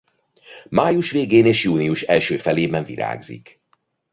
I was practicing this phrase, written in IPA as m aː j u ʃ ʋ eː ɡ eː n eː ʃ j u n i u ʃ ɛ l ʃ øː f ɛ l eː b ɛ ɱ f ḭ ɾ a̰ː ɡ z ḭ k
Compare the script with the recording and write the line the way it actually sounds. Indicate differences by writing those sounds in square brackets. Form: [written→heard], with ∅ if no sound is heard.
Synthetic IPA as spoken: m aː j u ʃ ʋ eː ɡ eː n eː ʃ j [u→uː] n i u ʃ ɛ l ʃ øː f ɛ l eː b ɛ ɱ [f→v] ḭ ɾ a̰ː ɡ z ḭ k